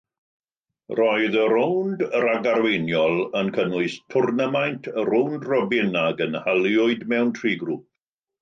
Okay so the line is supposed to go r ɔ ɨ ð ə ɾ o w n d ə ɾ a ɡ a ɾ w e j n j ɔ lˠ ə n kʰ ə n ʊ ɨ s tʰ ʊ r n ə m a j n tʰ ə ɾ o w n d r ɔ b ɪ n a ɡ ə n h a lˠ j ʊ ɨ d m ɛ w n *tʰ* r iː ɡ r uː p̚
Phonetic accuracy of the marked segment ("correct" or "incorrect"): correct